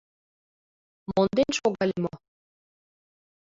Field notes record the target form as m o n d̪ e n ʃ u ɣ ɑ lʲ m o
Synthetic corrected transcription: m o n d̪ e n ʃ o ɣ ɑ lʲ m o